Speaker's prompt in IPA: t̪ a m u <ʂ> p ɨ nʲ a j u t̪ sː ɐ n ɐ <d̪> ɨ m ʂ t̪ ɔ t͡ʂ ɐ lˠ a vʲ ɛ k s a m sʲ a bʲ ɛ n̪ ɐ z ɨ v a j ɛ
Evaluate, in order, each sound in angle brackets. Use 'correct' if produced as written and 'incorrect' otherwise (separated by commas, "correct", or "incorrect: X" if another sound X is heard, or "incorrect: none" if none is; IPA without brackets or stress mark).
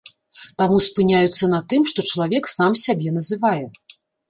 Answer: incorrect: s, incorrect: t̪